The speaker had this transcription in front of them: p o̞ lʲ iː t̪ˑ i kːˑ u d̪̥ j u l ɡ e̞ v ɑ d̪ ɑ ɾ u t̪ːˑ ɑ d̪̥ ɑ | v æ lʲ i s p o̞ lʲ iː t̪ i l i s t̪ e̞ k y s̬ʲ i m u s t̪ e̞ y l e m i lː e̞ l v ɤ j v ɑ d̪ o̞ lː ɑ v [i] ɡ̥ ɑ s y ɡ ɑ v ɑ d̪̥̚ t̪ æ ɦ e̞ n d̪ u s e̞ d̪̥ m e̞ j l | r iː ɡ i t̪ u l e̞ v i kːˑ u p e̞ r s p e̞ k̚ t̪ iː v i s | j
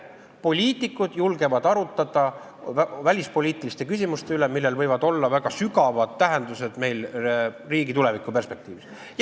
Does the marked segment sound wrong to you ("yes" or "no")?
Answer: yes